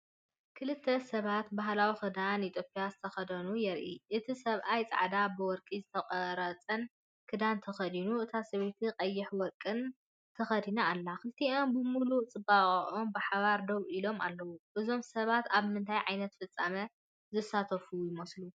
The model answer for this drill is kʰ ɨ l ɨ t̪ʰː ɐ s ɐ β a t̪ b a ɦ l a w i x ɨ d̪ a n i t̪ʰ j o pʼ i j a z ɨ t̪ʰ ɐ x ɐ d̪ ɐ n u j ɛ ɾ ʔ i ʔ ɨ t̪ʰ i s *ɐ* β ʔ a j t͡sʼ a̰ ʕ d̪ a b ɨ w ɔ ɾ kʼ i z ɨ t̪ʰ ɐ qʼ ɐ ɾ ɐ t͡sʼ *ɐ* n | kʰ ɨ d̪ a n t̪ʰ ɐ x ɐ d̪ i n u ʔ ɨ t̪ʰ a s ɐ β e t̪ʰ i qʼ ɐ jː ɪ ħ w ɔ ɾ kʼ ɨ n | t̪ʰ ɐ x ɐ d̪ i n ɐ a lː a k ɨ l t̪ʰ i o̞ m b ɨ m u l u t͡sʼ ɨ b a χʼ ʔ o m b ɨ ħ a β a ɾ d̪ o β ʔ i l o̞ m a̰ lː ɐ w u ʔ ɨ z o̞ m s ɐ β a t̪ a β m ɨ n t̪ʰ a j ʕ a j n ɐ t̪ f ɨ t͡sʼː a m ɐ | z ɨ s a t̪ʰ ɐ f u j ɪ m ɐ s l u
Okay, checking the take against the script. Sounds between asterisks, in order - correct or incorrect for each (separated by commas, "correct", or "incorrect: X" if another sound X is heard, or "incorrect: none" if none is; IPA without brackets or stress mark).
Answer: correct, correct